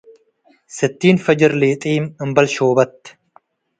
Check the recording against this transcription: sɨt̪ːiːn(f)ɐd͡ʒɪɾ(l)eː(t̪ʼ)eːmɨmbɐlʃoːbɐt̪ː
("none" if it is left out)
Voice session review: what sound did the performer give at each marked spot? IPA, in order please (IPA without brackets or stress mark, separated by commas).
f, l, t̪ʼ